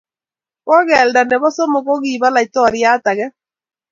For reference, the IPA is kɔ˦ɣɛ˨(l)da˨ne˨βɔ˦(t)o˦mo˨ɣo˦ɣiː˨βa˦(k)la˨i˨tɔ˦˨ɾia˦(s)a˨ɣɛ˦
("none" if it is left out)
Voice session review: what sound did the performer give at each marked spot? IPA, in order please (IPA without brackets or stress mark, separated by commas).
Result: l, s, none, t